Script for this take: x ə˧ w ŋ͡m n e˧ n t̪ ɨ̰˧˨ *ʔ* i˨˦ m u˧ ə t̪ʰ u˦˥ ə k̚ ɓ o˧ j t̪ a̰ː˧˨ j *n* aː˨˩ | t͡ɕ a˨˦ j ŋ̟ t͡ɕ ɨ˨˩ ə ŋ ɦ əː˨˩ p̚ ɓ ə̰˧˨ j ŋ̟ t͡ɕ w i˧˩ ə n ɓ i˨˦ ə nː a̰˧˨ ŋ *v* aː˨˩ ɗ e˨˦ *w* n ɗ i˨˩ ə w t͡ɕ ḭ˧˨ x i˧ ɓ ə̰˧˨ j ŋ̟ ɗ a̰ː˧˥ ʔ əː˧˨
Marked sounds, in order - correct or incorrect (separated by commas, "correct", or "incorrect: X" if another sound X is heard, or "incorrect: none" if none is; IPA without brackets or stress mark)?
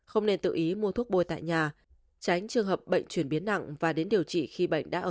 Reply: correct, incorrect: ɲ, correct, incorrect: none